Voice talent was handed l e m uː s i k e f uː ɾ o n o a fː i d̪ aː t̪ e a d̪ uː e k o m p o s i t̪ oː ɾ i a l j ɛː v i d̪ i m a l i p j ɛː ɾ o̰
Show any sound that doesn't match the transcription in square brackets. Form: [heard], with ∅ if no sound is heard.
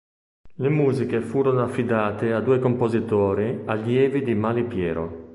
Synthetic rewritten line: l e m uː [z] i k e f uː ɾ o n o a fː i d̪ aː t̪ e a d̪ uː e k o m p o [z] i t̪ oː ɾ i a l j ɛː v i d̪ i m a l i p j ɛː ɾ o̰

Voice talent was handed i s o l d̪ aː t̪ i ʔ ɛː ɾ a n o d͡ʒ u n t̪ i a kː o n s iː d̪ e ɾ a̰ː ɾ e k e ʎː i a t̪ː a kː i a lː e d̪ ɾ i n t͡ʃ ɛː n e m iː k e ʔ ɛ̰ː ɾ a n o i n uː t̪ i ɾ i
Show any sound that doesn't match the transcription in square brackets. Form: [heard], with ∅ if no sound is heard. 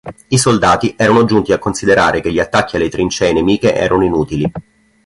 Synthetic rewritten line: i s o l d̪ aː t̪ i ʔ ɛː ɾ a n o d͡ʒ u n t̪ i a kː o n s [i] d̪ e ɾ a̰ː ɾ e k e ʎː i a t̪ː a kː i a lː e [t̪] ɾ i n t͡ʃ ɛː n e m iː k e ʔ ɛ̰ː ɾ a n o i n uː t̪ i [l] i

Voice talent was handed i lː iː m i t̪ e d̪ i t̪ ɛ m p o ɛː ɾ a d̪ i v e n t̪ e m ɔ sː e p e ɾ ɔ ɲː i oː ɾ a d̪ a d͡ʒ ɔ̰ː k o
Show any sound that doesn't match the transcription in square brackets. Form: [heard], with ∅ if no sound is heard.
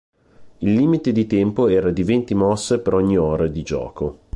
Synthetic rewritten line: i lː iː m i t̪ e d̪ i t̪ ɛ m p o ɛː ɾ a d̪ i v e n t̪ [i] m ɔ sː e p e ɾ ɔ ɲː i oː ɾ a d̪ [i] d͡ʒ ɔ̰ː k o

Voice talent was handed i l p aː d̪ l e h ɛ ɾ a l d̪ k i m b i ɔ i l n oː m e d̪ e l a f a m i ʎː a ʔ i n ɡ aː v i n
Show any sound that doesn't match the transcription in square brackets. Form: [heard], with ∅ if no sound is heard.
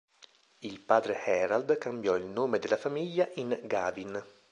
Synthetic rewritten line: i l p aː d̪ [ɾ] e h ɛ ɾ a l d̪ k [a] m b [j] ɔ i l n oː m e d̪ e l a f a m i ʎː a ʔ i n ɡ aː v i n

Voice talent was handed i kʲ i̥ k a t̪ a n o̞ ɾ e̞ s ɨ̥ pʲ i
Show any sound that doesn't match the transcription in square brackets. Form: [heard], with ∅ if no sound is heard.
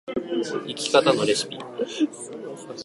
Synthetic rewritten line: i kʲ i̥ k a t̪ a n o̞ ɾ e̞ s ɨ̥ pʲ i

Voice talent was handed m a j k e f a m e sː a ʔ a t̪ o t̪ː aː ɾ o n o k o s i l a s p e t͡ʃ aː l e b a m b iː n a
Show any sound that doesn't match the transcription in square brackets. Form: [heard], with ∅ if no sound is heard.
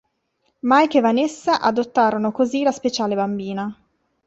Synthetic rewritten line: m a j k e [v] a [n] e sː a ʔ a [d̪] o t̪ː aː ɾ o n o k o [z] i l a s p e t͡ʃ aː l e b a m b iː n a

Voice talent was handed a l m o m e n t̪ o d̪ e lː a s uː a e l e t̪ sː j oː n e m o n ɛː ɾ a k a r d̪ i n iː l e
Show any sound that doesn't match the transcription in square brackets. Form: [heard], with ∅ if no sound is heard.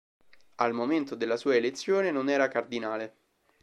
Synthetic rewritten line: a l m o m e n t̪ o d̪ e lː a s uː a e l e t̪ sː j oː n e [n] o n ɛː ɾ a k a r d̪ i n [aː] l e

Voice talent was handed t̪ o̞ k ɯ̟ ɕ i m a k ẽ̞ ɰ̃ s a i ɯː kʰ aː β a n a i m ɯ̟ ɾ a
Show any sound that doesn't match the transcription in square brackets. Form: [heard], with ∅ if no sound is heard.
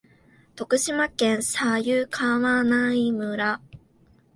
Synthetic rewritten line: t̪ o̞ k ɯ̟ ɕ i m a k ẽ̞ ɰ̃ s a [j] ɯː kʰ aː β a n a i m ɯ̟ ɾ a

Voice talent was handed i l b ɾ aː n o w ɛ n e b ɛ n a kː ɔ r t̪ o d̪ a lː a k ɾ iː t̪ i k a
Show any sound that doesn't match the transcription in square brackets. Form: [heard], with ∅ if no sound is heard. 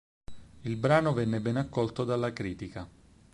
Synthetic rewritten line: i l b ɾ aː n o [v] ɛ [nː] e b ɛ n a kː ɔ [l] t̪ o d̪ a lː a k ɾ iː t̪ i k a

